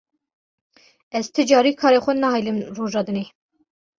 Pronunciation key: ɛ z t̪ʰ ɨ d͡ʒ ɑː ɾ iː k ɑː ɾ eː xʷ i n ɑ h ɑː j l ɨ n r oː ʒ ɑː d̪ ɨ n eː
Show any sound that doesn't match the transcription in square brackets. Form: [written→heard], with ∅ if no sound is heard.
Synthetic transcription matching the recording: ɛ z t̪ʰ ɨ d͡ʒ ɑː ɾ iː [k→kʰ] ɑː ɾ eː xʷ [i→ɛ] n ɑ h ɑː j l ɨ [n→m] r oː ʒ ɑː d̪ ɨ n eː